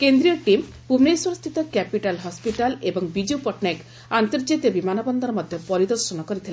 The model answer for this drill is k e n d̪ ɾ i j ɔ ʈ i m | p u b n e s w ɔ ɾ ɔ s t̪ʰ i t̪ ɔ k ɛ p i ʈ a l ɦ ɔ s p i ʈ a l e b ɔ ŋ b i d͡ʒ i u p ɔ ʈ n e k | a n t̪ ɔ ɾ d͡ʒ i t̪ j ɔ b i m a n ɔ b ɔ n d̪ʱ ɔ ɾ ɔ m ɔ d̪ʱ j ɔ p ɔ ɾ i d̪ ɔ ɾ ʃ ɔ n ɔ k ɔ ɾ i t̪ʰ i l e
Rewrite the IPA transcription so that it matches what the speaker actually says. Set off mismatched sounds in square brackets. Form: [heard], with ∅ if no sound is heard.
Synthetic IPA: k e n d̪ ɾ i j ɔ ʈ i m | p u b n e s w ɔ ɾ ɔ s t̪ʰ i t̪ ɔ k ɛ p i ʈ a l ɦ ɔ s p i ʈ a l e b ɔ ŋ b i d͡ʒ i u p ɔ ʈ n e k | a n t̪ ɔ ɾ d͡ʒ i t̪ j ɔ b i m a n ɔ b ɔ n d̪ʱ ɔ ɾ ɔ m ɔ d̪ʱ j ɔ p ɔ ɾ i d̪ ɔ ɾ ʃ ɔ n ɔ k ɔ ɾ i t̪ʰ i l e